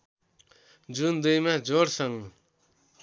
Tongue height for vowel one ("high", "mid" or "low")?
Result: high